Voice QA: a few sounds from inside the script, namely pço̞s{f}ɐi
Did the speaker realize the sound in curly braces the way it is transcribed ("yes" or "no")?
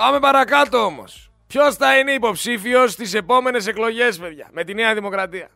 no